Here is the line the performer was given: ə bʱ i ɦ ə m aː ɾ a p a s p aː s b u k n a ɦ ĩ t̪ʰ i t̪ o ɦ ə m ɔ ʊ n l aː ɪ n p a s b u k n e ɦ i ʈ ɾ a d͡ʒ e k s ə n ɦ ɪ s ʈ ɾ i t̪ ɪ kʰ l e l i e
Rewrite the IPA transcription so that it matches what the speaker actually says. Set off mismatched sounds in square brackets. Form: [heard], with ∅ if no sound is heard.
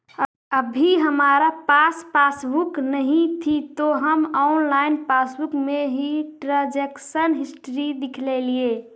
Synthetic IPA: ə bʱ i ɦ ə m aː ɾ a p a s p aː s b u k n [ə] ɦ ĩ t̪ʰ i t̪ o ɦ ə m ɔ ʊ n l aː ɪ n p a s b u k [m] e ɦ i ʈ ɾ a d͡ʒ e k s ə n ɦ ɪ s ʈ ɾ i [d̪] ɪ kʰ l e l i e